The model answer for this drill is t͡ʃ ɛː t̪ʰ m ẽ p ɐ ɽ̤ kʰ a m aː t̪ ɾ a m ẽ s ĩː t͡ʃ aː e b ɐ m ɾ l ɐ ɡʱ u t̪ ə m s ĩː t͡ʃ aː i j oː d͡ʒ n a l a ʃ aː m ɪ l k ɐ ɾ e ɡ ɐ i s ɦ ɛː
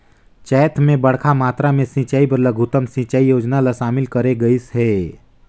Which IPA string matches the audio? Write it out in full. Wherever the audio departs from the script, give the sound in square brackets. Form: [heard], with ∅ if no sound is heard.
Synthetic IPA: t͡ʃ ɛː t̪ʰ m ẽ [b] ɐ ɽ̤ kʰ a m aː t̪ ɾ a m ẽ s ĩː t͡ʃ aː [i] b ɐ [∅] ɾ l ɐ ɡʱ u t̪ ə m s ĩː t͡ʃ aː i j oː d͡ʒ n a l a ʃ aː m ɪ l k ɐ ɾ e ɡ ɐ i s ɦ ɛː

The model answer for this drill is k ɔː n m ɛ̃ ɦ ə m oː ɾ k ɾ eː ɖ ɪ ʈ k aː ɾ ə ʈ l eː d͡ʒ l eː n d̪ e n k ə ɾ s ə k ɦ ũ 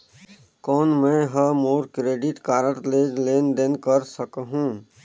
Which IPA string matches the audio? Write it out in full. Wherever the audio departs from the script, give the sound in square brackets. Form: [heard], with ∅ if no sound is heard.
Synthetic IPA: k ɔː n m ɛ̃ ɦ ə m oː ɾ k ɾ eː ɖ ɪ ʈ k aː ɾ ə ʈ l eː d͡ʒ l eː n d̪ e n k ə ɾ s ə k ɦ ũ

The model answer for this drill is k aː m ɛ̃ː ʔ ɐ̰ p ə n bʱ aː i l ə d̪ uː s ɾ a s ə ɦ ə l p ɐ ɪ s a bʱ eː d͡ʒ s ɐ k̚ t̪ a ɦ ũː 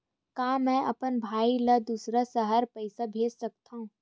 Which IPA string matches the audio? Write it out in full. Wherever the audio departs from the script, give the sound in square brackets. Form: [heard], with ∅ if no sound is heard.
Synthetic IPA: k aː m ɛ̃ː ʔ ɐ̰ p ə n bʱ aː i l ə d̪ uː s ɾ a s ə ɦ ə [ɾ] p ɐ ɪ s a bʱ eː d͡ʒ s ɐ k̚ t̪ a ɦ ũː

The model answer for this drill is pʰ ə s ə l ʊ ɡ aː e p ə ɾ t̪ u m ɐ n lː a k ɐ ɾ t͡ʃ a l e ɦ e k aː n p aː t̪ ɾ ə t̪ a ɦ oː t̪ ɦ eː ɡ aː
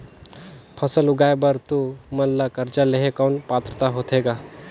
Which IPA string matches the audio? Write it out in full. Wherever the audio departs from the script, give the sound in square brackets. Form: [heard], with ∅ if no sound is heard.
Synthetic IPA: pʰ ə s ə l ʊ ɡ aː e [b] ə ɾ t̪ u m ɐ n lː a k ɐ ɾ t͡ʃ a l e ɦ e k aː n p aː t̪ ɾ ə t̪ a ɦ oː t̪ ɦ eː ɡ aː

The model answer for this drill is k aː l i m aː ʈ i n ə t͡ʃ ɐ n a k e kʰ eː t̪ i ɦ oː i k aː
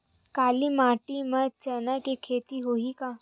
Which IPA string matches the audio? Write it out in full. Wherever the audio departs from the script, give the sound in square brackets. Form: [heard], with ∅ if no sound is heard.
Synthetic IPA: k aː l i m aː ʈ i [m] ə t͡ʃ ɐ n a k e kʰ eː t̪ i ɦ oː i k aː

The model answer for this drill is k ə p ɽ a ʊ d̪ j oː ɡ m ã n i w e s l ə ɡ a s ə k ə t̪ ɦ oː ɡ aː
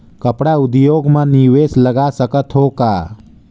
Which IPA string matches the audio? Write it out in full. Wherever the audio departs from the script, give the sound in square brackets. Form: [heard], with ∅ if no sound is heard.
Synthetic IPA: k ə p ɽ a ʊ d̪ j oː ɡ m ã n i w e s l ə ɡ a s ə k ə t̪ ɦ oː [k] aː

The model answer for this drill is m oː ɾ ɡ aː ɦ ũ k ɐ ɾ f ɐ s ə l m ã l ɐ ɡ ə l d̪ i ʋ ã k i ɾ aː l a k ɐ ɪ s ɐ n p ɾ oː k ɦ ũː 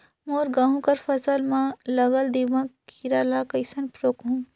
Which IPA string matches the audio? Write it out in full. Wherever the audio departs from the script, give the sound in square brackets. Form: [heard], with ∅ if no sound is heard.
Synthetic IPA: m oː ɾ ɡ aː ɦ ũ k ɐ ɾ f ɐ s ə l m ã l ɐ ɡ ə l d̪ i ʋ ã k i ɾ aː l a k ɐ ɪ s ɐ n p ɾ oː k ɦ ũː

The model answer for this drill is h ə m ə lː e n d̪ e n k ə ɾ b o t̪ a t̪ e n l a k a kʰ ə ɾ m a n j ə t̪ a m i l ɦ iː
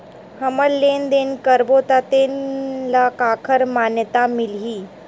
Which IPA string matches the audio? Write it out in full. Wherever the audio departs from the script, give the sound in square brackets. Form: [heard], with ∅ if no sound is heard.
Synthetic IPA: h ə m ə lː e n d̪ e n k ə ɾ b o t̪ a t̪ e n l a k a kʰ ə ɾ m a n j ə t̪ a m i l ɦ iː

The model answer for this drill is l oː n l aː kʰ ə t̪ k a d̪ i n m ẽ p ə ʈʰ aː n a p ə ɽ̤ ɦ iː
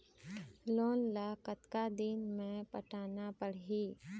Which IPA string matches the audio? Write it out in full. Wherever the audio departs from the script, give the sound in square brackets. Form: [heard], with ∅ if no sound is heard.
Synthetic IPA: l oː n l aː [k] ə t̪ k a d̪ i n m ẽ p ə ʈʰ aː n a p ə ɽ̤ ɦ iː

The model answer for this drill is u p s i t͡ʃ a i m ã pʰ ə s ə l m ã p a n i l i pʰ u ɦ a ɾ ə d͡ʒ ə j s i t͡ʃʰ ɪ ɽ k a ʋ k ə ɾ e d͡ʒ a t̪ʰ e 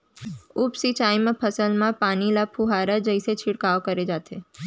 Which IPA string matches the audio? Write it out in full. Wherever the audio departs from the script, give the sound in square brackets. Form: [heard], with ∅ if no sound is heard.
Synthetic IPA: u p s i t͡ʃ a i m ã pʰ ə s ə l m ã p a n i l [a] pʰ u ɦ a ɾ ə d͡ʒ ə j s [e] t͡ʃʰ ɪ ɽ k a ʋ k ə ɾ e d͡ʒ a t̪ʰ e

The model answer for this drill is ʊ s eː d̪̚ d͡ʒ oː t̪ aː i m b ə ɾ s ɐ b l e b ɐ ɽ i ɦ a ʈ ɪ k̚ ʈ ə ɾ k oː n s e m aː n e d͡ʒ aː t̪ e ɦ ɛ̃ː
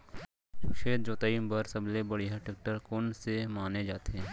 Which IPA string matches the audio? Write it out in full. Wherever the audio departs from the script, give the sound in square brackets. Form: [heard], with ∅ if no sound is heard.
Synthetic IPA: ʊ [ʃ] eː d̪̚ d͡ʒ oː t̪ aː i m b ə ɾ s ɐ b l e b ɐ ɽ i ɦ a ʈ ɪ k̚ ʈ ə ɾ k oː n s e m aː n e d͡ʒ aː t̪ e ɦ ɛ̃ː

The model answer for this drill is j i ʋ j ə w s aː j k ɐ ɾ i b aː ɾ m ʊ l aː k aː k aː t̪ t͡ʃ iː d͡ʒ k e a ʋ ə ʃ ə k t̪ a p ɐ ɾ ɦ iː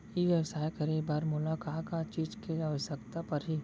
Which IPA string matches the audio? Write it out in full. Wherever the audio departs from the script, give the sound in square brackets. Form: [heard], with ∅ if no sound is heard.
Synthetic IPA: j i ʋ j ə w s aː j k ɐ ɾ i b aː ɾ m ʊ l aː k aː k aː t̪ t͡ʃ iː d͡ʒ k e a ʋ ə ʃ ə k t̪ a p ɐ ɾ ɦ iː

